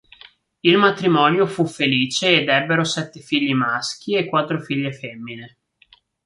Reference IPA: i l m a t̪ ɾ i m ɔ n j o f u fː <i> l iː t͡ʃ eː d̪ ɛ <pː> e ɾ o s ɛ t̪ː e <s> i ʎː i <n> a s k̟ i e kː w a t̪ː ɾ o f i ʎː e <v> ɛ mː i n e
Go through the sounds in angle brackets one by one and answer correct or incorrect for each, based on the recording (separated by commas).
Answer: incorrect, incorrect, incorrect, incorrect, incorrect